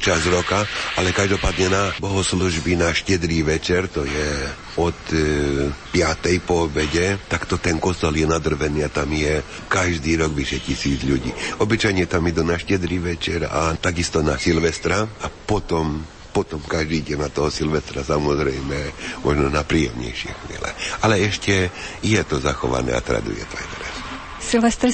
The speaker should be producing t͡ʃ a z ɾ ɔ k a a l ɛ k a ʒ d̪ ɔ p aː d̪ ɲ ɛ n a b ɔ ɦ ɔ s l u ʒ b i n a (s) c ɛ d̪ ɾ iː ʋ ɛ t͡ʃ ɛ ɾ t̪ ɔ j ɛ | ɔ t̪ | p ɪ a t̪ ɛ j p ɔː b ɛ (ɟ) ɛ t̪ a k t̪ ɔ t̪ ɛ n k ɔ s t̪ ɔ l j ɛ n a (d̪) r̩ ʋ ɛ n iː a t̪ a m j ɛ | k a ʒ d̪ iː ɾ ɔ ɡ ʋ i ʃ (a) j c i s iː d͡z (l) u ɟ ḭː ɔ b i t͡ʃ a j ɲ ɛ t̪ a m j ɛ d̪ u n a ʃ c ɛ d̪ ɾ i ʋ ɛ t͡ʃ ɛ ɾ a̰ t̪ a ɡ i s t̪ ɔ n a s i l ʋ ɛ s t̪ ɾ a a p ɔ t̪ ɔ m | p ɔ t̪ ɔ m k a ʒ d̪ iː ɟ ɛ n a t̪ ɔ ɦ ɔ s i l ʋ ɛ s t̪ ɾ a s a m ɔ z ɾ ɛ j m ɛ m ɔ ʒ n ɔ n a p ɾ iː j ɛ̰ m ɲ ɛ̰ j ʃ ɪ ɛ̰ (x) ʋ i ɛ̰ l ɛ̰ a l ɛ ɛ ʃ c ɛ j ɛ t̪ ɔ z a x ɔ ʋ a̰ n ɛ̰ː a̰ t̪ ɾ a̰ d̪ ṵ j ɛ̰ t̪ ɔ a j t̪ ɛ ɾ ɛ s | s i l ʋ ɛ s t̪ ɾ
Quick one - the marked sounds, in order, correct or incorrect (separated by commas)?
incorrect, correct, correct, incorrect, incorrect, correct